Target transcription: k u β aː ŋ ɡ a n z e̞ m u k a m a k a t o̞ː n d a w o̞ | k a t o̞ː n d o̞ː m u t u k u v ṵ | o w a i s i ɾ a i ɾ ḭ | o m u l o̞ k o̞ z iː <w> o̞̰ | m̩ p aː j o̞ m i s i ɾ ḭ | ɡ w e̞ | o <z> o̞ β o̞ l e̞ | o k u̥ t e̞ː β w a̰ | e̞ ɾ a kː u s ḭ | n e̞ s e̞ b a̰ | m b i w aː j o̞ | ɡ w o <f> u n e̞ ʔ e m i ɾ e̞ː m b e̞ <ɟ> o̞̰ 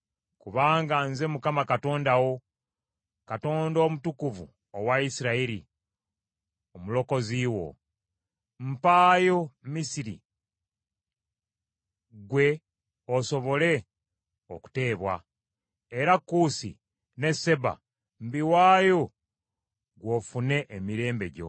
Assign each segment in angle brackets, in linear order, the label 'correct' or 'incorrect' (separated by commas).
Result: correct, incorrect, correct, correct